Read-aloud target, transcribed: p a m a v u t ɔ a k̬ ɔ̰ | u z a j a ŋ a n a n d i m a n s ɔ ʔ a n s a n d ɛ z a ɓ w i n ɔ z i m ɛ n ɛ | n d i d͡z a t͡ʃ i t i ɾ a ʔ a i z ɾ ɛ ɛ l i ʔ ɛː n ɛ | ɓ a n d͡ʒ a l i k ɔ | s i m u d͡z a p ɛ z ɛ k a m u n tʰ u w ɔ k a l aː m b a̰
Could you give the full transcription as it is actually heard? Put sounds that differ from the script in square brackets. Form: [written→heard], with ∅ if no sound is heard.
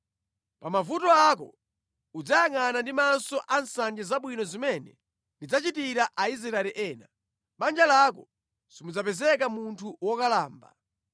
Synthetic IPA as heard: p a m a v u t ɔ a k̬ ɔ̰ | u [z→d͡z] a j a ŋ a n a n d i m a n s ɔ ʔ a n s a n [d→d͡ʒ] ɛ z a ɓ w i n ɔ z i m ɛ n ɛ | n d i d͡z a t͡ʃ i t i ɾ a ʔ a i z ɾ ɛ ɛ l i ʔ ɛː n [ɛ→a] | ɓ a n d͡ʒ a l [i→a] k ɔ | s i m u d͡z a p ɛ z ɛ k a m u n tʰ u w ɔ k a l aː m b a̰